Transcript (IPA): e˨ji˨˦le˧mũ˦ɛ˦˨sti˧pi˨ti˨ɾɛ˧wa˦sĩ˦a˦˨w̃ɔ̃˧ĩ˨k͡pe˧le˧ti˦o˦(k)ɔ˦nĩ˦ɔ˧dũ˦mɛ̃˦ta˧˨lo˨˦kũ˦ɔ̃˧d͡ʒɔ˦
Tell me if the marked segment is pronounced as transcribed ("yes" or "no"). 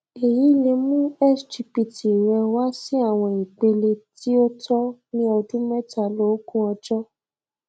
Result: no